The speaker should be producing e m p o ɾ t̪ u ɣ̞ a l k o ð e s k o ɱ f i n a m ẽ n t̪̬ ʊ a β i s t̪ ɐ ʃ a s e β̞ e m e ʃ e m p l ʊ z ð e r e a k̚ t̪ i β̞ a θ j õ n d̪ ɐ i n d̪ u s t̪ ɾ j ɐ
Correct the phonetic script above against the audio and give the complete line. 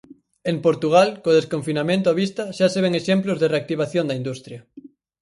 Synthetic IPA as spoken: e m p o ɾ t̪ u ɣ̞ a l k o ð e s k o ɱ f i n a m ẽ n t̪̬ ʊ a β i s t̪ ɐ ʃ a s e β̞ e ŋ e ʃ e m p l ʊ z ð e r e a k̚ t̪ i β̞ a θ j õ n d̪ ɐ i n d̪ u s t̪ ɾ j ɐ